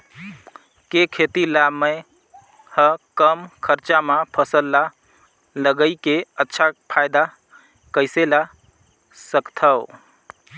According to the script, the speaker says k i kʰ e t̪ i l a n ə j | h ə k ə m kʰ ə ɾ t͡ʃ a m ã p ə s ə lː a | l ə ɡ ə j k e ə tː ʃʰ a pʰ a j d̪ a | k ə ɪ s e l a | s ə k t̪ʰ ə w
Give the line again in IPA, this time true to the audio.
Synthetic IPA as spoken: k e kʰ e t̪ i l a m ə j | h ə k ə m kʰ ə ɾ t͡ʃ a m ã pʰ ə s ə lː a | l ə ɡ ə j k e ə tː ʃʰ a pʰ a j d̪ a | k ə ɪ s e l a | s ə k t̪ʰ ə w